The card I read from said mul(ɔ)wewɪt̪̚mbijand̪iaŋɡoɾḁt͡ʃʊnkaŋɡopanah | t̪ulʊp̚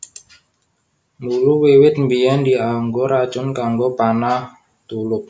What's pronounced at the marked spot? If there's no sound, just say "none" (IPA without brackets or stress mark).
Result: u